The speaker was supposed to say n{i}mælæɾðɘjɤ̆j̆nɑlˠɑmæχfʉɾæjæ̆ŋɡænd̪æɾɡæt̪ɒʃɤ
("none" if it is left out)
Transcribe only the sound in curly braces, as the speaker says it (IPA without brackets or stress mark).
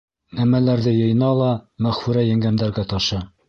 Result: æ